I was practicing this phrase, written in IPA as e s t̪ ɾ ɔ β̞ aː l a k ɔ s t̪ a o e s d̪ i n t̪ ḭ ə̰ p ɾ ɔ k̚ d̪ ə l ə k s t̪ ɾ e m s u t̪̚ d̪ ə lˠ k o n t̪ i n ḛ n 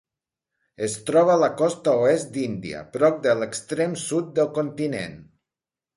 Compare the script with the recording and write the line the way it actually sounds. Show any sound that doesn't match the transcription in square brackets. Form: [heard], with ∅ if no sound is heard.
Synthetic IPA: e s t̪ ɾ ɔ β̞ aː l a k ɔ s t̪ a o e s d̪ i n [d̪] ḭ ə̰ p ɾ ɔ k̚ d̪ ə l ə k s t̪ ɾ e m s u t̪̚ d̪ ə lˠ k o n t̪ i n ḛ n

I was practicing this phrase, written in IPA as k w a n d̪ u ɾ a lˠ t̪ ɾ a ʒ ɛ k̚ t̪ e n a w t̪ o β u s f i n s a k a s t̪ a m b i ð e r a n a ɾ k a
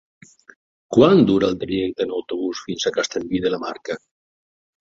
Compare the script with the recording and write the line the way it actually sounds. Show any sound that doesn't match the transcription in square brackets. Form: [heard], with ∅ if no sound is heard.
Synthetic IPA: k w a n d̪ u ɾ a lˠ t̪ ɾ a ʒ ɛ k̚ t̪ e n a w t̪ o β u s f i n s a k a s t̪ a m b i ð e [l] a [m] a ɾ k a

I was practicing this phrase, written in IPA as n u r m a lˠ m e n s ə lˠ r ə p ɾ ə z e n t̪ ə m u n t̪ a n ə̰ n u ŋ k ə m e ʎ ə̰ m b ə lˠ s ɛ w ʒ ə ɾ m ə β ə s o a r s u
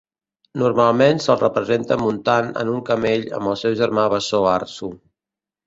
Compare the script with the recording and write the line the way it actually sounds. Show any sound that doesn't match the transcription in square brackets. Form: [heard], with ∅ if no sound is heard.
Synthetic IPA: n u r m a lˠ m e n s ə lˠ r ə p ɾ ə z e n t̪ ə m u n t̪ a n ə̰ n u ŋ k ə m e ʎ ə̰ m b ə lˠ s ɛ w ʒ ə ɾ m [a] β ə s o a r s u

